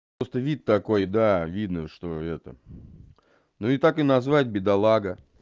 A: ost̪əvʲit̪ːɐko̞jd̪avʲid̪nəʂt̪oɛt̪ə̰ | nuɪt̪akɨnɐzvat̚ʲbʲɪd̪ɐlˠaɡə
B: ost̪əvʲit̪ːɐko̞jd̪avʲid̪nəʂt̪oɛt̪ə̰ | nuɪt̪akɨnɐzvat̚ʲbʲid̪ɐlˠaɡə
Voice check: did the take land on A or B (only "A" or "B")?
A